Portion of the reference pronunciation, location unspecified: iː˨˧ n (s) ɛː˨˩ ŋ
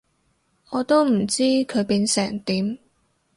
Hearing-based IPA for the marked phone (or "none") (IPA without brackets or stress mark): s